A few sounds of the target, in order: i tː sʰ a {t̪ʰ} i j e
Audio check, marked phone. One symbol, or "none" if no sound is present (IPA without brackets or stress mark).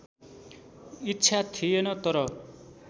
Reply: t̪ʰ